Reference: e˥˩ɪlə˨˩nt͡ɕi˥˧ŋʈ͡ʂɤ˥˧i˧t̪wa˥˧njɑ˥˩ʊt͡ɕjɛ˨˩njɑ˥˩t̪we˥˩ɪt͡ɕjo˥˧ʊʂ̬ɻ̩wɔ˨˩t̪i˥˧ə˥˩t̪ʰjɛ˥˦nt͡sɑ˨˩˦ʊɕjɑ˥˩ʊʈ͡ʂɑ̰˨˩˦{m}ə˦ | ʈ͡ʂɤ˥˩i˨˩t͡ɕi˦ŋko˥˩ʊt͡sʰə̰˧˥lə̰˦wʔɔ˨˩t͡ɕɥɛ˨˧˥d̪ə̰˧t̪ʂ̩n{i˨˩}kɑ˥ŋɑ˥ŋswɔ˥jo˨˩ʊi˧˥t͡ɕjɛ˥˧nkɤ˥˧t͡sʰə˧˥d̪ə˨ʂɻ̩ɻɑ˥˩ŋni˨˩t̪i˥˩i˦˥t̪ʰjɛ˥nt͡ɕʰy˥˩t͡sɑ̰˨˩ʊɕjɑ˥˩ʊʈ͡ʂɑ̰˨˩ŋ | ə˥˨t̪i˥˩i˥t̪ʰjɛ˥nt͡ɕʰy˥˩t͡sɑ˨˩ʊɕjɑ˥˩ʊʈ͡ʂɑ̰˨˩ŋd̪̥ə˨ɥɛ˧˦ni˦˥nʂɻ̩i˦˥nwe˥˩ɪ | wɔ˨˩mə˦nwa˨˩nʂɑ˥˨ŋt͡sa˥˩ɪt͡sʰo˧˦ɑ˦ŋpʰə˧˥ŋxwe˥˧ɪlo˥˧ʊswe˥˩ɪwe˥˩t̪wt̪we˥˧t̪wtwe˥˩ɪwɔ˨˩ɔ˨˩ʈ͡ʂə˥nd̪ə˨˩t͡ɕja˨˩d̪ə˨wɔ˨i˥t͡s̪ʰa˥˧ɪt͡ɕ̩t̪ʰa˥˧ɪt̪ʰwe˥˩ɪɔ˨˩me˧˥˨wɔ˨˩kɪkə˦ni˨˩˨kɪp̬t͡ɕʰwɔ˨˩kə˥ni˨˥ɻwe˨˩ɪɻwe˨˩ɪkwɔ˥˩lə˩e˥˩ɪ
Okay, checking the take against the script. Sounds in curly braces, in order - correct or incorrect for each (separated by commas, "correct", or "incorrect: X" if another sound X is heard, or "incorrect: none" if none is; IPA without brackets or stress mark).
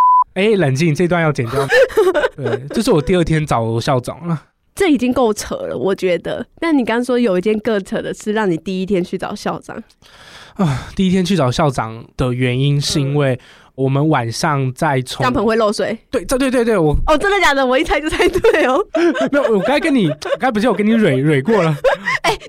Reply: incorrect: ŋ, correct